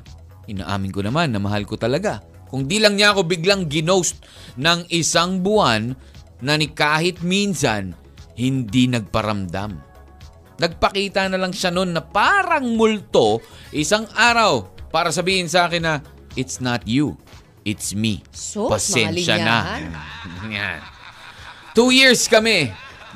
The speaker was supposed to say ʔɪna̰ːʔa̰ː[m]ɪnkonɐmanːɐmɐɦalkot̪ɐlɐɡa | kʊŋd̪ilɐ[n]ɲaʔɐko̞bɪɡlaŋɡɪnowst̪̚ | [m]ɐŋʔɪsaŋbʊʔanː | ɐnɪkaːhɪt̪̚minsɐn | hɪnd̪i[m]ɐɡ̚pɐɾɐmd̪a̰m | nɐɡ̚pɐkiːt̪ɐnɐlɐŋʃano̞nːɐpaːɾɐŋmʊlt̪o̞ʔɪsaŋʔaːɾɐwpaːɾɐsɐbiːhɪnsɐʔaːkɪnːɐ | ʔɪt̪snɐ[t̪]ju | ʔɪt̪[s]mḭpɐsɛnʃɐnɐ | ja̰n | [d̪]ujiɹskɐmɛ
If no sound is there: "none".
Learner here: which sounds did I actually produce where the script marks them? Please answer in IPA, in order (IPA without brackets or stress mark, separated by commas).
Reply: m, ŋ, n, n, t̪, s, t̪